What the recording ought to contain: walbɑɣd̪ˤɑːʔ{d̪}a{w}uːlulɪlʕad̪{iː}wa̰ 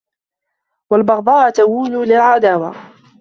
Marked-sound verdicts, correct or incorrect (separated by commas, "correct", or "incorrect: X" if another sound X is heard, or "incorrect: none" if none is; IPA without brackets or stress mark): incorrect: t̪, correct, incorrect: aː